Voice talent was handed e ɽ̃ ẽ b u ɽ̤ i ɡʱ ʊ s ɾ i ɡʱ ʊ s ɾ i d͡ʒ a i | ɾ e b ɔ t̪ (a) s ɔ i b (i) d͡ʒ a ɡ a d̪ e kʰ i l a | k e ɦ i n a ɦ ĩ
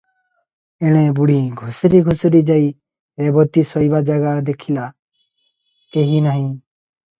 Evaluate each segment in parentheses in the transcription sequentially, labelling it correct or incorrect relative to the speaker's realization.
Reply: incorrect, incorrect

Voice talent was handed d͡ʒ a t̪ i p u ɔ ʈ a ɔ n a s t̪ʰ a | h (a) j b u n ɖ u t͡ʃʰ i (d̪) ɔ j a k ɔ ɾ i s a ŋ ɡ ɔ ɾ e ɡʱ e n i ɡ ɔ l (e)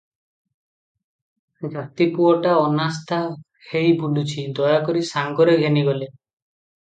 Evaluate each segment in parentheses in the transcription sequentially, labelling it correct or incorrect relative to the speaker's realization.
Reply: incorrect, correct, correct

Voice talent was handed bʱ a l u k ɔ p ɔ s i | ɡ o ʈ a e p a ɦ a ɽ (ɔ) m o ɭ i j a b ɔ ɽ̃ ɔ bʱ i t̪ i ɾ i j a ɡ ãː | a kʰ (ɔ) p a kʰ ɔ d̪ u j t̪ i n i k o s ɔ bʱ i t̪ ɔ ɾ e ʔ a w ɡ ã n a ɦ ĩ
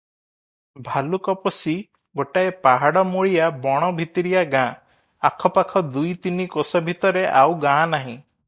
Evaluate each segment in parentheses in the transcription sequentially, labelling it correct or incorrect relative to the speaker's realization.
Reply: correct, correct

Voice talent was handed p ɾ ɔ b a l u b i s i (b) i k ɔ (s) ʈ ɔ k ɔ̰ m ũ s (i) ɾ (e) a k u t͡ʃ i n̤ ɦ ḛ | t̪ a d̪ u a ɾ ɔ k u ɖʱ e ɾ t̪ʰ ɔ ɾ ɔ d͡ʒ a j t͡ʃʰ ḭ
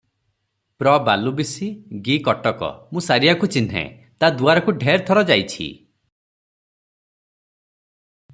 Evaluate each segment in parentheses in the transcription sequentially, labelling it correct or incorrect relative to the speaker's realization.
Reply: incorrect, incorrect, incorrect, incorrect

